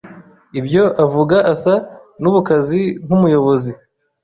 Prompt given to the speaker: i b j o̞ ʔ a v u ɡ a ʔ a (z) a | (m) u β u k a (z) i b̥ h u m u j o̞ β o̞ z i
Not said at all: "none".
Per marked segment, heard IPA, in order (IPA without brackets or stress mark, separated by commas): s, n, z